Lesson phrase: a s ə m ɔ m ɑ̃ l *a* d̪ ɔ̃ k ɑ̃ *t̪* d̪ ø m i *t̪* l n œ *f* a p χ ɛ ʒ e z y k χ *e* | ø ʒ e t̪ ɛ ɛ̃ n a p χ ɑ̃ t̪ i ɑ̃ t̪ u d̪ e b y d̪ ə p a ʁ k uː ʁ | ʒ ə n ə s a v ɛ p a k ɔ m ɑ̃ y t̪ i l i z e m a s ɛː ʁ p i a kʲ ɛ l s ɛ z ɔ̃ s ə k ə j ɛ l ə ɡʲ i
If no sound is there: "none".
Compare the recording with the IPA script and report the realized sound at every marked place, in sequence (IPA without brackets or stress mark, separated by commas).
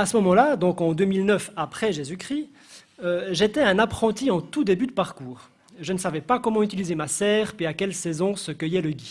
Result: a, none, none, f, i